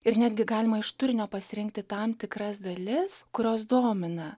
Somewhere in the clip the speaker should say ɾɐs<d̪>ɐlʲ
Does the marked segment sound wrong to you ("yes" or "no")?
no